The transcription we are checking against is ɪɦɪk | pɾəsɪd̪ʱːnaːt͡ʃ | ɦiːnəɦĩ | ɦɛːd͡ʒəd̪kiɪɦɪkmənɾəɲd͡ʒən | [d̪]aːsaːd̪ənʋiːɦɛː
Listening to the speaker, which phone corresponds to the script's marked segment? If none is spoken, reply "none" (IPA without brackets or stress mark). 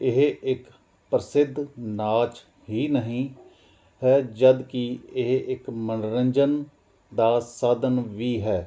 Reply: d̪